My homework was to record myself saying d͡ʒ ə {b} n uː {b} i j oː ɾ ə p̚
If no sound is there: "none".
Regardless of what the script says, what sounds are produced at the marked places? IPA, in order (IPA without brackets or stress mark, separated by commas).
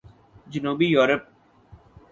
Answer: none, b